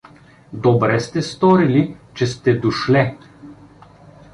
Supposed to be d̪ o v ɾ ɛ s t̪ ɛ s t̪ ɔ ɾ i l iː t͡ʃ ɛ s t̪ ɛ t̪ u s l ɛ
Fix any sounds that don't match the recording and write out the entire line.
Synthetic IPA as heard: d̪ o b ɾ ɛ s t̪ ɛ s t̪ ɔ ɾ i l i t͡ʃ ɛ s t̪ ɛ d̪ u ʃ l ɛ